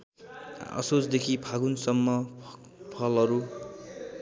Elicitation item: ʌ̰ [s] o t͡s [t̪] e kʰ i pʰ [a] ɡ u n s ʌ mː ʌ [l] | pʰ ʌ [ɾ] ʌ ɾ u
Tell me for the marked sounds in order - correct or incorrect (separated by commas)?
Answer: correct, incorrect, correct, incorrect, incorrect